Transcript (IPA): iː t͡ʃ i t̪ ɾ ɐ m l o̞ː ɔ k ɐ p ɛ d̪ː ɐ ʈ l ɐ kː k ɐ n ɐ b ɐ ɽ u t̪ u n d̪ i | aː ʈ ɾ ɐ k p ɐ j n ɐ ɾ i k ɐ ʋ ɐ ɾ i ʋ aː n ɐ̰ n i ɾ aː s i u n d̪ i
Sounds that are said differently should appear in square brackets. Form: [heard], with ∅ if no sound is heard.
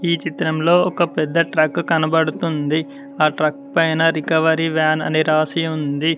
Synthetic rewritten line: iː t͡ʃ i t̪ ɾ ɐ m l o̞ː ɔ k ɐ p ɛ d̪ː ɐ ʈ [ɾ] ɐ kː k ɐ n ɐ b ɐ ɽ u t̪ u n d̪ i | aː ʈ ɾ ɐ k p ɐ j n ɐ ɾ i k ɐ ʋ ɐ ɾ i ʋ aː n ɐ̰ n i ɾ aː s i u n d̪ i